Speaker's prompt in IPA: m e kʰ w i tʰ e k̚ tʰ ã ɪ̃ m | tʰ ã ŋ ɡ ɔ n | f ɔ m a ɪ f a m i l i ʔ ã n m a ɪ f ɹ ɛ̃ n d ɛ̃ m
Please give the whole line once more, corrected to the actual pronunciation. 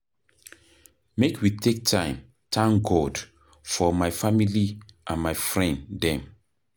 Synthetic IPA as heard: m e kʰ w i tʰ e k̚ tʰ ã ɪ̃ m | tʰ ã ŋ ɡ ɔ d | f ɔ m a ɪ f a m i l i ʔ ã n m a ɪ f ɹ ɛ̃ n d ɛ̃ m